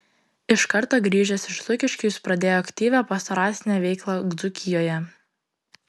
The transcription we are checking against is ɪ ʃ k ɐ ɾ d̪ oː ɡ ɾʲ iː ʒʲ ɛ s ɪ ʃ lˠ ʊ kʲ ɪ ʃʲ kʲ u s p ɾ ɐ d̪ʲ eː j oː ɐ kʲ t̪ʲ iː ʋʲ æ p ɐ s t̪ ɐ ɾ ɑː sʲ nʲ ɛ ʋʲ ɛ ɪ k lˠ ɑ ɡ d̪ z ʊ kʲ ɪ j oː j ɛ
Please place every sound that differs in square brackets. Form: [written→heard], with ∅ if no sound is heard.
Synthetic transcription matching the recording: ɪ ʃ k ɐ ɾ [d̪→t̪] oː ɡ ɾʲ iː ʒʲ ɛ s ɪ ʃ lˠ ʊ kʲ ɪ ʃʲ kʲ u s p ɾ ɐ d̪ʲ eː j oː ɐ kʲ t̪ʲ iː ʋʲ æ p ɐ s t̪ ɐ ɾ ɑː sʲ nʲ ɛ ʋʲ ɛ ɪ k lˠ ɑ ɡ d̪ z ʊ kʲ ɪ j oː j ɛ